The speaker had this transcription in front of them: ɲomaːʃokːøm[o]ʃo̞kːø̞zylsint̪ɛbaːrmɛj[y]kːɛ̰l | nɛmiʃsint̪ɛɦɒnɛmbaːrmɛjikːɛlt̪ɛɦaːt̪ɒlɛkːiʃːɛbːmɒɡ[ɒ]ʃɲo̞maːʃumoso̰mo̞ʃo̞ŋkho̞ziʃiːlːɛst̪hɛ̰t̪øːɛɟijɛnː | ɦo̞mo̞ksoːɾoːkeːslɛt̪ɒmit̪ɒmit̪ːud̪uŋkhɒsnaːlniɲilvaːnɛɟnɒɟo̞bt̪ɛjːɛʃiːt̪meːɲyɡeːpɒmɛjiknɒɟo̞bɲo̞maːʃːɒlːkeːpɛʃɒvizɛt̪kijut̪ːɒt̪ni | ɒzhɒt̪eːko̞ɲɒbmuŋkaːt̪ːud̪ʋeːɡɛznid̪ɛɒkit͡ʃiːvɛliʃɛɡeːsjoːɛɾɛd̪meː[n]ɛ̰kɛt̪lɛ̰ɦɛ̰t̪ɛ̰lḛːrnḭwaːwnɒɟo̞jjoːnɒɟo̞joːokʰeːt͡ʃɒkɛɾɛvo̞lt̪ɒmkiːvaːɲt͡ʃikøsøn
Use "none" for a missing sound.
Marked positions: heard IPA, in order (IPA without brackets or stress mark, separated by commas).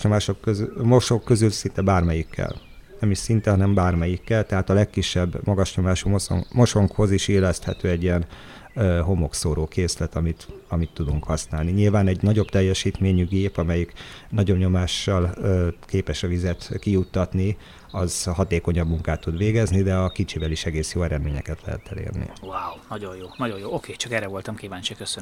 o, i, ɒ, ɲ